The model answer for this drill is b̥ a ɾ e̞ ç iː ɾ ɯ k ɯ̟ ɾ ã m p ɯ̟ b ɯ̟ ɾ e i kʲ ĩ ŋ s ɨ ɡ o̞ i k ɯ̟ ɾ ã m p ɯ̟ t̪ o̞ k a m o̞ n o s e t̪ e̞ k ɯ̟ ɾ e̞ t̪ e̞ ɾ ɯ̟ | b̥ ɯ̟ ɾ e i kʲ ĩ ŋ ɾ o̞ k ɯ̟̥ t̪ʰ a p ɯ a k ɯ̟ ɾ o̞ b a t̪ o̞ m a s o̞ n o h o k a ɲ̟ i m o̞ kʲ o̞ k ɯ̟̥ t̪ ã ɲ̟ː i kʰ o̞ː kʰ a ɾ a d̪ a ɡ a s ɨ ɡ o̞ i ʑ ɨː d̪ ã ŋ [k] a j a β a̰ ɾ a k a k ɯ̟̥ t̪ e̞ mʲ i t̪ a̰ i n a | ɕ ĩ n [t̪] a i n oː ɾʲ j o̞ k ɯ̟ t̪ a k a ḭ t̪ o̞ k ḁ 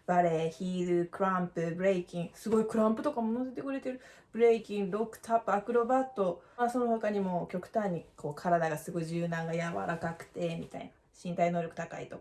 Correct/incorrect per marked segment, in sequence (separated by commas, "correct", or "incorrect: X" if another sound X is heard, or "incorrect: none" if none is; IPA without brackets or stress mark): incorrect: ɡ, correct